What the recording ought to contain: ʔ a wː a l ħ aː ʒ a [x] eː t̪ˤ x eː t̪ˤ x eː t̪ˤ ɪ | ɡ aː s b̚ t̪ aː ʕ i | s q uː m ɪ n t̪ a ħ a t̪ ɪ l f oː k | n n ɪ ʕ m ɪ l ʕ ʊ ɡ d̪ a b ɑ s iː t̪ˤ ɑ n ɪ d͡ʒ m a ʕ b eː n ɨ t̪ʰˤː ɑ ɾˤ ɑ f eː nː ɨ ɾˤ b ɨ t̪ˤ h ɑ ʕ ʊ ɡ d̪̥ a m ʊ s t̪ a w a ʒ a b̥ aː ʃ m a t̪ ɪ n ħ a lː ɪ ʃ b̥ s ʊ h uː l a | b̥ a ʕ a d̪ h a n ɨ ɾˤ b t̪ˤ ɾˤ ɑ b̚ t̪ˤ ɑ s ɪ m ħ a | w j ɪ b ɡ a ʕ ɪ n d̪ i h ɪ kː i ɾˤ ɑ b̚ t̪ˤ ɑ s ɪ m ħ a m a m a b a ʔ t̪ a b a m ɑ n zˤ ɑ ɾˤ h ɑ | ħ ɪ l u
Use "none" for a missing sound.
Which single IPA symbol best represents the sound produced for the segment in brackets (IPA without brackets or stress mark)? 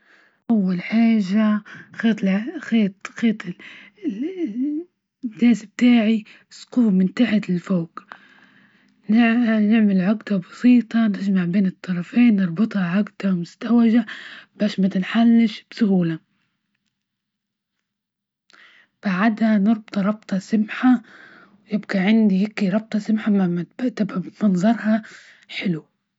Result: x